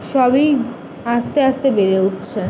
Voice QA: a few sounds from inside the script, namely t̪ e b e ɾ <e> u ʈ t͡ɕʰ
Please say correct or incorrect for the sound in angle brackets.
correct